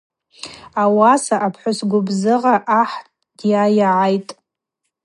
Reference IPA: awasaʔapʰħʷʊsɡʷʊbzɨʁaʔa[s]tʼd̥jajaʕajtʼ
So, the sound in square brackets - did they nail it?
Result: no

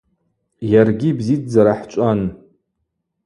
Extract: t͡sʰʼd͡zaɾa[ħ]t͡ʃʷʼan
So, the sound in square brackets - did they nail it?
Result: yes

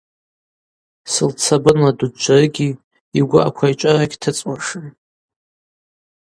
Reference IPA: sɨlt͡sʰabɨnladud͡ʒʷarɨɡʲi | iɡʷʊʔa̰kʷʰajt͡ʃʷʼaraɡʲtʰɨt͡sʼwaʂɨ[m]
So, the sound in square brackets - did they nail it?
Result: no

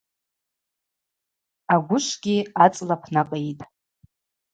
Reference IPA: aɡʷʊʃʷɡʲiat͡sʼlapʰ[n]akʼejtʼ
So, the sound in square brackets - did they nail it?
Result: yes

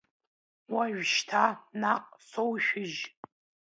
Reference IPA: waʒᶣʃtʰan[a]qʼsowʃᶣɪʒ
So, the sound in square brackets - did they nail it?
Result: yes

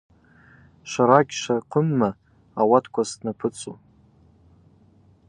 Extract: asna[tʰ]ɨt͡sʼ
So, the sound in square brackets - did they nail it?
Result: no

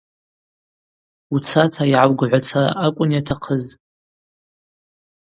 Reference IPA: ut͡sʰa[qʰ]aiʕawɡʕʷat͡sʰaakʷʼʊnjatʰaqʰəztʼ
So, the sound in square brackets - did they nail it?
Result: no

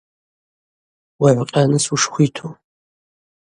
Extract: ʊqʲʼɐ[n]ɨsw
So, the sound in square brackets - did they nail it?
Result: yes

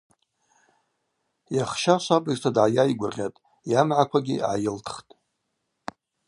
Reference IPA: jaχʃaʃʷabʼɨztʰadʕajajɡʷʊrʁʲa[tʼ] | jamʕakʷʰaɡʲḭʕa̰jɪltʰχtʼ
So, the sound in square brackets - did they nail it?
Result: yes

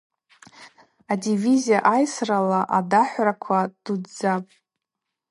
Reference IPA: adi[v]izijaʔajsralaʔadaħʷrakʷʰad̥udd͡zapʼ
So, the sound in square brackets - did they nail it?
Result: yes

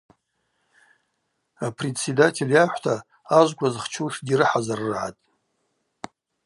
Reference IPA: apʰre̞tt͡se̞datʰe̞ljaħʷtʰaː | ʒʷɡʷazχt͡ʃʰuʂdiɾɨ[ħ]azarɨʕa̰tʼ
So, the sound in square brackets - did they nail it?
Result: yes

